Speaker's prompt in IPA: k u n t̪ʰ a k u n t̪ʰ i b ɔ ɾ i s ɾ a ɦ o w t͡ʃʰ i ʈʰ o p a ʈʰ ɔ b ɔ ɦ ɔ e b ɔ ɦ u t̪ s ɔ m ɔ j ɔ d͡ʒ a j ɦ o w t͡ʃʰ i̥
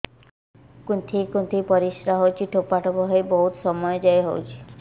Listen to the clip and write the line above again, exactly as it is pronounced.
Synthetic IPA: k u n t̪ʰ i k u n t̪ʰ i p ɔ ɾ i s ɾ a ɦ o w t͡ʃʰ i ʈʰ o p a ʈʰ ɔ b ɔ ɦ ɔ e b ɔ ɦ u t̪ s ɔ m ɔ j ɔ d͡ʒ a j ɦ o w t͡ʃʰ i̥